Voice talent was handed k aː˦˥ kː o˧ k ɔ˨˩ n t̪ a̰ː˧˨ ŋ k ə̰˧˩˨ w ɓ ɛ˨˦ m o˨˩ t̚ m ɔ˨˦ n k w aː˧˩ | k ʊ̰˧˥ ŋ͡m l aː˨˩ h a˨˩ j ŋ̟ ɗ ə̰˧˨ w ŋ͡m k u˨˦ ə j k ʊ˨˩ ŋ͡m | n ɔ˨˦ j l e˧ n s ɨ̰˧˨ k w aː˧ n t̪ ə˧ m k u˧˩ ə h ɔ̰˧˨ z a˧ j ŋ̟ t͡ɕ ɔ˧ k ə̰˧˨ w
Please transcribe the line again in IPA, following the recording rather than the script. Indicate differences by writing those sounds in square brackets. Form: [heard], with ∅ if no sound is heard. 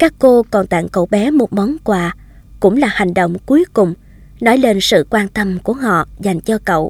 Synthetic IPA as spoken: k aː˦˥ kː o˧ k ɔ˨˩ n t̪ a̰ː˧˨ ŋ k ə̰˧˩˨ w ɓ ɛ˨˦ m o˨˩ t̚ m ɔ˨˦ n k w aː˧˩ | k ʊ̰˧˥ ŋ͡m l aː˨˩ h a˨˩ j ŋ̟ ɗ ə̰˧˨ w ŋ͡m k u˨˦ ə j k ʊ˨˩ ŋ͡m | n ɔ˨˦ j l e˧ n s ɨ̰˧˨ k w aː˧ n t̪ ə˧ m k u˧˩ ə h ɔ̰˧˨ z [a˨˩] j ŋ̟ t͡ɕ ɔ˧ k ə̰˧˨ w